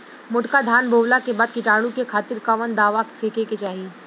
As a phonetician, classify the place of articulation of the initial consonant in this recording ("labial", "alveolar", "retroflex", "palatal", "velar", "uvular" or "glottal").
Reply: labial